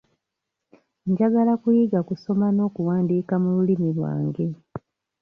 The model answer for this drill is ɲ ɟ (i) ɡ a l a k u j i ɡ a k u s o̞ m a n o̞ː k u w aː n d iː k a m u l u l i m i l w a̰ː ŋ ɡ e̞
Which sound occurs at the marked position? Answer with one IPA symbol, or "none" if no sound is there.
a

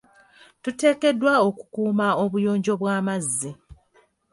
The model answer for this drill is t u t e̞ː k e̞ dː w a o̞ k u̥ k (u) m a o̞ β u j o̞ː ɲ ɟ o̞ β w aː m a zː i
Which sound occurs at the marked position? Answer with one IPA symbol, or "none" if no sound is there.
uː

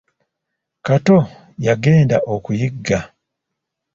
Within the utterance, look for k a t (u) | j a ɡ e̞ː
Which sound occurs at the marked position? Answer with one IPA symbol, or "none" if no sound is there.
o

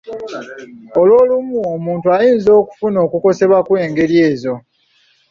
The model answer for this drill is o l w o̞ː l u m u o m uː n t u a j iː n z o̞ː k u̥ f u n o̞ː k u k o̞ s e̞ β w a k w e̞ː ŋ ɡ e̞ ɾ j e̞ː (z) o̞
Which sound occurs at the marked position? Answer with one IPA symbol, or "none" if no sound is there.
z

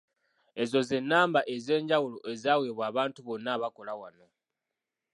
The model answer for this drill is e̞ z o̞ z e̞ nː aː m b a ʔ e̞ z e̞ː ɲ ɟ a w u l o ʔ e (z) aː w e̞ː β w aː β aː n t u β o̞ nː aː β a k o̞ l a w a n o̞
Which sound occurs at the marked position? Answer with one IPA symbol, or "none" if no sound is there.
z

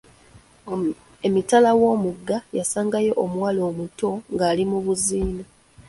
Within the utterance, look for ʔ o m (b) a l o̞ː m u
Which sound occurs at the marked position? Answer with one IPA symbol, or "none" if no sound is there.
w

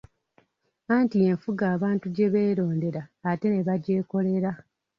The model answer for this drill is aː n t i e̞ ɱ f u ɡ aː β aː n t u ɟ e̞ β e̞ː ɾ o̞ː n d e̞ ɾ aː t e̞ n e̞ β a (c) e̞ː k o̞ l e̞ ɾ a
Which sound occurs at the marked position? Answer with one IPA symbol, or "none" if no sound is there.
ɟ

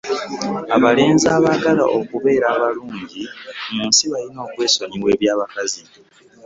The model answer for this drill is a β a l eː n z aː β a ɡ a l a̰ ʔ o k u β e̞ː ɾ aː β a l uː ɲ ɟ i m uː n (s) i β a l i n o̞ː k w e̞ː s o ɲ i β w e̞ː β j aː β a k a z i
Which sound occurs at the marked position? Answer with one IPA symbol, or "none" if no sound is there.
s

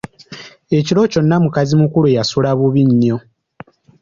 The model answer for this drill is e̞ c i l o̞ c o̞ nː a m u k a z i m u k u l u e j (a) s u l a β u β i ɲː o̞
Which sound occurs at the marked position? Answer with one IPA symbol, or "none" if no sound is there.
a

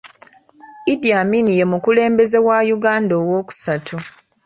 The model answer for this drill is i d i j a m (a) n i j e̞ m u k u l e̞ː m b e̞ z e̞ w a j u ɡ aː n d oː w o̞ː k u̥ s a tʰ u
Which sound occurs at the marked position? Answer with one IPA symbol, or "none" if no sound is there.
i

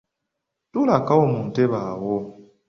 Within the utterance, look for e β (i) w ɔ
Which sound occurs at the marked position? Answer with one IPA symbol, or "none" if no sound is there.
a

